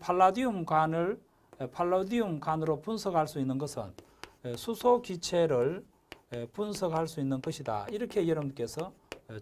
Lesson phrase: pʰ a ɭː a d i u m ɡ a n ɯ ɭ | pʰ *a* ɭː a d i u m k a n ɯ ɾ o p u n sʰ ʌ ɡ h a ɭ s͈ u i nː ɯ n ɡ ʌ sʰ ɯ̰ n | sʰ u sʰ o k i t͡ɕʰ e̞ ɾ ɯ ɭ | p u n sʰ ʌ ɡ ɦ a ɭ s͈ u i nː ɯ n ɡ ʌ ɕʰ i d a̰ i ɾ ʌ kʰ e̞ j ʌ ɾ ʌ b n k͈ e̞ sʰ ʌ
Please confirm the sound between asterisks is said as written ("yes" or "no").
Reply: yes